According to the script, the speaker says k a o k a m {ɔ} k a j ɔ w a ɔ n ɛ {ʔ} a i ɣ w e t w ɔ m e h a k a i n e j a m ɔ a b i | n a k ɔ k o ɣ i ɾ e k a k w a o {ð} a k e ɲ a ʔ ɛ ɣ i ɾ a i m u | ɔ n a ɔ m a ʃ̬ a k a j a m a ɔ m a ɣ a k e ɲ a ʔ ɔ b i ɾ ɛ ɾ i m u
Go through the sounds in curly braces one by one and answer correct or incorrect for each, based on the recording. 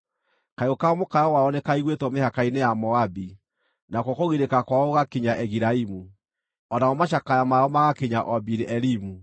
incorrect: o, incorrect: k, incorrect: ɣ

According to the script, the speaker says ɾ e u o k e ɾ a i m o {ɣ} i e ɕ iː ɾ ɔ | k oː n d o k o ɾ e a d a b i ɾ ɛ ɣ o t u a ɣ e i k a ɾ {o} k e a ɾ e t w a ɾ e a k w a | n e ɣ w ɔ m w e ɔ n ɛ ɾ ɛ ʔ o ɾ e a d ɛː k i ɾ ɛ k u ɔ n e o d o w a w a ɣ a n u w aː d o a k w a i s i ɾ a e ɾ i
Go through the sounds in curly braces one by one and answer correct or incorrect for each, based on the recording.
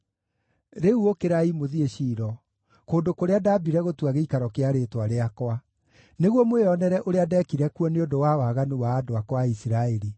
incorrect: ð, incorrect: ɔ

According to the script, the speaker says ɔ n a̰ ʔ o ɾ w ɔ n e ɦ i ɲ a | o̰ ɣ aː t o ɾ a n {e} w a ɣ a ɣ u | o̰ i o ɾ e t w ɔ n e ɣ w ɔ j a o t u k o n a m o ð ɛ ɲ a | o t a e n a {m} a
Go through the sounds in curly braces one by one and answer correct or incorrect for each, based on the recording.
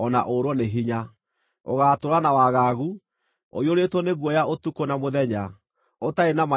incorrect: a, correct

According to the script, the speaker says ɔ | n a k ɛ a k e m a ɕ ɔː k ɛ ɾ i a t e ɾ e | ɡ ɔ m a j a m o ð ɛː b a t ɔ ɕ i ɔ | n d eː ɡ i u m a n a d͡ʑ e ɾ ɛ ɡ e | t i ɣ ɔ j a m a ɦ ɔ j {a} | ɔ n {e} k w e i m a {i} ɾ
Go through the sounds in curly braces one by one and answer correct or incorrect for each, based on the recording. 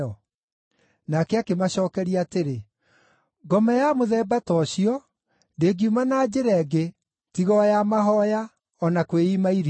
correct, incorrect: a, correct

